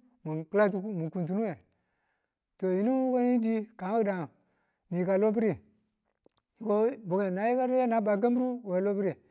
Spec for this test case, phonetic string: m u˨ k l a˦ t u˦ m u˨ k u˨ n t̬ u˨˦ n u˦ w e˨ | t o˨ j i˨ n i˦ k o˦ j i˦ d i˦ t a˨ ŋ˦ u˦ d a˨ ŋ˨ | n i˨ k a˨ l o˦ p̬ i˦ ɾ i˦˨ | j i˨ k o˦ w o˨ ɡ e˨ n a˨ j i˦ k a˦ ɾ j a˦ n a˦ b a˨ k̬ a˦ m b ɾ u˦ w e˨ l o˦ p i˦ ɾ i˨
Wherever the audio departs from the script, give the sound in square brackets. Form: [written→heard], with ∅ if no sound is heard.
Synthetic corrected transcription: m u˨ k l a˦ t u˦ m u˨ k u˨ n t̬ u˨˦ n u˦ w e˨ | t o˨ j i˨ n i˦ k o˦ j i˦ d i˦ [t→k] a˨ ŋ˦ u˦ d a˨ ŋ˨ | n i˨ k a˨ l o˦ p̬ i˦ ɾ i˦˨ | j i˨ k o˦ [w→b] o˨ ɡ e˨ n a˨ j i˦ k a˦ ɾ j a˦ n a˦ b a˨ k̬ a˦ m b ɾ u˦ w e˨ l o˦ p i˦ ɾ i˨